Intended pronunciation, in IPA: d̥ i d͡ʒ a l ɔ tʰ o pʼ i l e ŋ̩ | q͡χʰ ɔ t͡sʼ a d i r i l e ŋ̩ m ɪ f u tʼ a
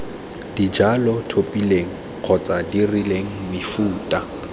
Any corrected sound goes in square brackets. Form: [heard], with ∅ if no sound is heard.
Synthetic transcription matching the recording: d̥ i d͡ʒ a l ɔ tʰ o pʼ i l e ŋ̩ | q͡χʰ ɔ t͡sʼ a d i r i l e ŋ̩ m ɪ f [uː] tʼ a